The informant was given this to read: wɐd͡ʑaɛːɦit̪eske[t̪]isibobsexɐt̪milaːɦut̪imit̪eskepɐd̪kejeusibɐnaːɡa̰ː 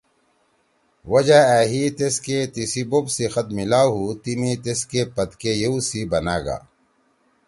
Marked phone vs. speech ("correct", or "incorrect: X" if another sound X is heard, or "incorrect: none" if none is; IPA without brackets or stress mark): correct